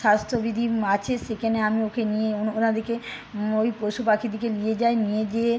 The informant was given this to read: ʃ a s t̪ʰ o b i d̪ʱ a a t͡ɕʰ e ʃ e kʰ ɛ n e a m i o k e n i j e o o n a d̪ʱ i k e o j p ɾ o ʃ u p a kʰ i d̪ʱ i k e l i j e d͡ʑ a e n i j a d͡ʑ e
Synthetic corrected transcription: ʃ a s t̪ʰ o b i d̪ʱ i a t͡ɕʰ e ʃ e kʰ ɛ n e a m i o k e n i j e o o n a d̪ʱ i k e o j p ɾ o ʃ u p a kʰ i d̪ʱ i k e l i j e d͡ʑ a e n i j e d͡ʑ e